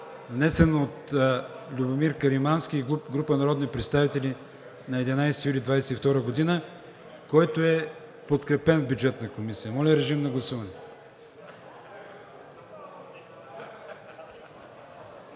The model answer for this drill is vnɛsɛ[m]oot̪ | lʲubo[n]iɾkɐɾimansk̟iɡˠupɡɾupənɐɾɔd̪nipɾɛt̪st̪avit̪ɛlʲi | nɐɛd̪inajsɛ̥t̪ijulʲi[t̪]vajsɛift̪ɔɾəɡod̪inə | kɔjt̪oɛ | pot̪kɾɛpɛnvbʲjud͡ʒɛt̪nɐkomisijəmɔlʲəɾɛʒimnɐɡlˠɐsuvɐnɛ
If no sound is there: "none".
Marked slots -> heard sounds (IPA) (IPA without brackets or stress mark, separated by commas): n, m, d̪